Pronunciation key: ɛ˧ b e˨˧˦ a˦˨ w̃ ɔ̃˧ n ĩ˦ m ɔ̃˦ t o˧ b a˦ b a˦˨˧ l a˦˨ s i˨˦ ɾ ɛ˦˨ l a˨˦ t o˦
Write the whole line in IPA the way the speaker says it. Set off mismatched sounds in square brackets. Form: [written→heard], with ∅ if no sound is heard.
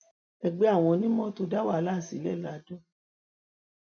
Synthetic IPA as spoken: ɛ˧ [b→ɡ͡b] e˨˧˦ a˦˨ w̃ ɔ̃˧ n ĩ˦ m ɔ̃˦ t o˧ [b→d] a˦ [b→w] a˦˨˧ l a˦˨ s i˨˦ [ɾ→l] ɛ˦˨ l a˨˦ [t→d] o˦